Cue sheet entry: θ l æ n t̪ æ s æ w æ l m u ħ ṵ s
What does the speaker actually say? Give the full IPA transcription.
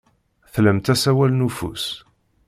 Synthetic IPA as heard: θ l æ m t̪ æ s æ w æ l n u f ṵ s